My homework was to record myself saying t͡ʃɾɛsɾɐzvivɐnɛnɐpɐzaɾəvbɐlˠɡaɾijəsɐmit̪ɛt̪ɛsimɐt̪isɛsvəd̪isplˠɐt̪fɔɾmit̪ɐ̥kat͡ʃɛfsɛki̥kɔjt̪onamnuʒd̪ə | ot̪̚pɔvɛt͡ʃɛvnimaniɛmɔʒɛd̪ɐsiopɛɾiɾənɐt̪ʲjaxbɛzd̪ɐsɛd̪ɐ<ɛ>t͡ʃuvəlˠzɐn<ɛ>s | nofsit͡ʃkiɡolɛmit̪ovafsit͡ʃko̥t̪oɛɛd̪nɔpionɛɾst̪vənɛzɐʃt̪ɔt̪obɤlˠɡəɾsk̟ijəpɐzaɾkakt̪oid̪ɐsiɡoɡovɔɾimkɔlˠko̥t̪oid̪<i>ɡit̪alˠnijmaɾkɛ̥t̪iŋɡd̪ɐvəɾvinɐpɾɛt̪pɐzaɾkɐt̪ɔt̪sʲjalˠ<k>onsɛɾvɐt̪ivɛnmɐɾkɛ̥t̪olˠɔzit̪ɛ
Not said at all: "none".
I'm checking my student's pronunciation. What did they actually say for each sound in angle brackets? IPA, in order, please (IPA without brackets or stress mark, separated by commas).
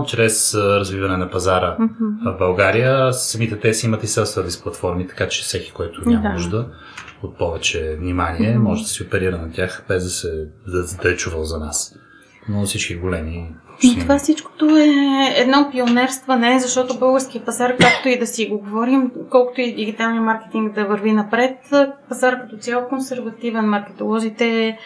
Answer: ɛ, a, i, k